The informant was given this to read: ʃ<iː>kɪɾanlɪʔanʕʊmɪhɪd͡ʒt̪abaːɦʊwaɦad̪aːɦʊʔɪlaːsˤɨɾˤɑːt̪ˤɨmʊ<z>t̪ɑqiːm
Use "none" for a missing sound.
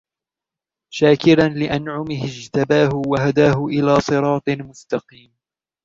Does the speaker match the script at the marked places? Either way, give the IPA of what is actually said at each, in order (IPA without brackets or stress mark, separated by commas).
aː, s